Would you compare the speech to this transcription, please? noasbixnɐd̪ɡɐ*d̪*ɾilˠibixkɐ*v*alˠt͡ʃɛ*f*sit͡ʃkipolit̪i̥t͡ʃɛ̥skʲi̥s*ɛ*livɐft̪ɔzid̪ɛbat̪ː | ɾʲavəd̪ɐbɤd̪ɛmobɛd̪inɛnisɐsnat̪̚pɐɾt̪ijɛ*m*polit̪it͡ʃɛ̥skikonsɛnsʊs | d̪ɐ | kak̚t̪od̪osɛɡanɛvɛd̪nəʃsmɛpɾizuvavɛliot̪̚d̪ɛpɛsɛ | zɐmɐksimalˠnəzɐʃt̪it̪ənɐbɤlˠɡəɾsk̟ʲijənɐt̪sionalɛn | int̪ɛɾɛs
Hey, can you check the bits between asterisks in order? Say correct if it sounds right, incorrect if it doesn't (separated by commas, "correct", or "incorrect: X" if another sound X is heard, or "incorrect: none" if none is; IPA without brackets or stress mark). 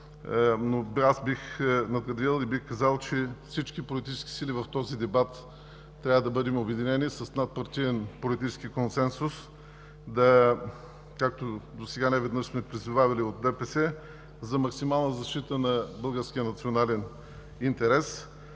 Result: correct, incorrect: z, correct, incorrect: i, incorrect: n